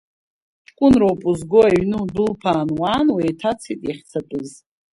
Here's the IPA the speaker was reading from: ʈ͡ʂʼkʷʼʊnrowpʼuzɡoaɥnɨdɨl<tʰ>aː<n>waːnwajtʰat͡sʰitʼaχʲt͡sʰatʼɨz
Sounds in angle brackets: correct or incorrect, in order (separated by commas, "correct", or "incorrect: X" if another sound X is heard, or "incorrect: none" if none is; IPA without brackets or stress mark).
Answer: incorrect: pʰ, correct